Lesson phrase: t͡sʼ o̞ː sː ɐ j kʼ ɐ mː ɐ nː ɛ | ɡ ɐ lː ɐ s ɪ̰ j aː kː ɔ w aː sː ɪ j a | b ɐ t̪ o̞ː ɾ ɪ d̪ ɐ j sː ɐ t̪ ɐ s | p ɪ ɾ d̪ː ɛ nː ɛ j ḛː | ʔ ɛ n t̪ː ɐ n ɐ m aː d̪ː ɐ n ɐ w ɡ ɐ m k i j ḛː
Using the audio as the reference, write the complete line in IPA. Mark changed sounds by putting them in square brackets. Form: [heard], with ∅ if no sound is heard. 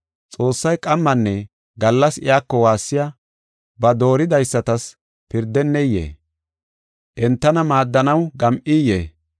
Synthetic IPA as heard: t͡sʼ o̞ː sː ɐ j kʼ ɐ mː ɐ nː ɛ | ɡ ɐ lː ɐ s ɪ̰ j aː kː ɔ w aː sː ɪ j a | b ɐ [d̪] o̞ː ɾ ɪ d̪ ɐ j sː ɐ t̪ ɐ s | p ɪ ɾ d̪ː ɛ nː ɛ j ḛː | ʔ ɛ n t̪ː ɐ n ɐ m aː d̪ː ɐ n ɐ w ɡ ɐ m [ʔ] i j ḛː